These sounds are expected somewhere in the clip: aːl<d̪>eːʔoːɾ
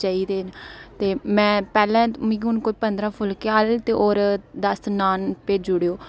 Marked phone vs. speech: incorrect: t̪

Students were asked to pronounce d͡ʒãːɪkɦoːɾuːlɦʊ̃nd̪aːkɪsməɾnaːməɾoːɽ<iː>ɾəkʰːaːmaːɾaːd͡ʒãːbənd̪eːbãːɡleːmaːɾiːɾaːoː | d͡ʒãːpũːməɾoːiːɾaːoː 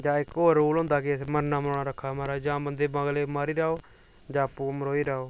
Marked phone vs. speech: incorrect: aː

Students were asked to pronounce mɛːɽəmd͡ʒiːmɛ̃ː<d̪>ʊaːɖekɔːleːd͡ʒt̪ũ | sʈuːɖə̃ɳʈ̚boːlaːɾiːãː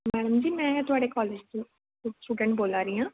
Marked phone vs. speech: incorrect: t̪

